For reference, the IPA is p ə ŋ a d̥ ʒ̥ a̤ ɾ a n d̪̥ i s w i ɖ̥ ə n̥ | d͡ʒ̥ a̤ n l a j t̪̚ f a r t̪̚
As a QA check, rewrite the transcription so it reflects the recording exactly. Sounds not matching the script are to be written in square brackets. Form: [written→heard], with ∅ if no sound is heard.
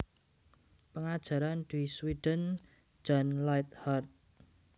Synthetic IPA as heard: p ə ŋ a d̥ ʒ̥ a̤ ɾ a n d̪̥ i s w i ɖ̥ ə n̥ | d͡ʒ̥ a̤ n l a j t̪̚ [f→h] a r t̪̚